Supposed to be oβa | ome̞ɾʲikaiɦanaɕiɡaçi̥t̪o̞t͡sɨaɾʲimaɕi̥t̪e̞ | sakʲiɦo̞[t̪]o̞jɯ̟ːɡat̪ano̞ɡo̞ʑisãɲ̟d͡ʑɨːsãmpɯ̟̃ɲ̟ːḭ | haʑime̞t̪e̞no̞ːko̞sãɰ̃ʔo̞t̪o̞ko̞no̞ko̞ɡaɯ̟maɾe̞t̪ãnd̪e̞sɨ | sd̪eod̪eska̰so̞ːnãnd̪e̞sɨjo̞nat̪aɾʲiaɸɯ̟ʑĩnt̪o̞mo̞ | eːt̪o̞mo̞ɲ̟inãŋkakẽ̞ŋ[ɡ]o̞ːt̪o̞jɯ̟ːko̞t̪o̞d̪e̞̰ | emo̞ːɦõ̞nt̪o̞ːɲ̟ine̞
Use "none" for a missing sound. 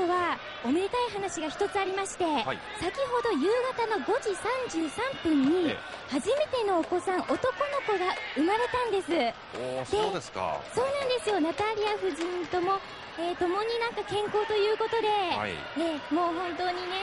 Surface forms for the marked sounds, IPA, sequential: d̪, k

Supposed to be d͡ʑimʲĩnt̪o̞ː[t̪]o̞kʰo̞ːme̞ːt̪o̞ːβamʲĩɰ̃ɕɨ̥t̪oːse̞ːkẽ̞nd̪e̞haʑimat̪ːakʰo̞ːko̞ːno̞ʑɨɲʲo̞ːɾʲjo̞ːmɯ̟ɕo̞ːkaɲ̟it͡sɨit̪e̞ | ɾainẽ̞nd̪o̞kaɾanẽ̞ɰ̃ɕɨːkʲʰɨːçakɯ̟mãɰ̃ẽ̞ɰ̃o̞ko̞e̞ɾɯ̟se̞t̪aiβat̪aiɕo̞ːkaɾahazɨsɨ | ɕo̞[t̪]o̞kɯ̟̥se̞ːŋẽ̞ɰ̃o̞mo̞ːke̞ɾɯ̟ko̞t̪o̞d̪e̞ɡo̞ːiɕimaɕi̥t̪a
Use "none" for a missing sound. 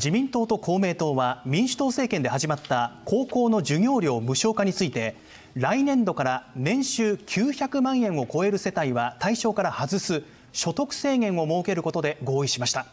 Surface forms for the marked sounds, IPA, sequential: t̪, t̪

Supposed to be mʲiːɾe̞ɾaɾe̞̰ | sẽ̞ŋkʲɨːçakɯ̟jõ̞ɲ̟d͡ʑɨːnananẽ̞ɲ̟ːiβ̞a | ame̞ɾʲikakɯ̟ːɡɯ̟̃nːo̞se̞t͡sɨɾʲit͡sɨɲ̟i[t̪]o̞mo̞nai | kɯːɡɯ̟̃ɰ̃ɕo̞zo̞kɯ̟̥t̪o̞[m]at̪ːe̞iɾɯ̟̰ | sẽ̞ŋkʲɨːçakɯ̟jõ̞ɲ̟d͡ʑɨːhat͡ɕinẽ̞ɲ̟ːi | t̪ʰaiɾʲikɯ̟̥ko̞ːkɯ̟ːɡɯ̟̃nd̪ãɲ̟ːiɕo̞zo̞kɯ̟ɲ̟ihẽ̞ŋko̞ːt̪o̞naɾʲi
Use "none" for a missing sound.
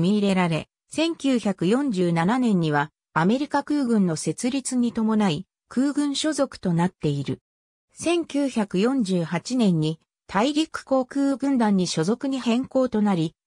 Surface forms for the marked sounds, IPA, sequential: t̪, n

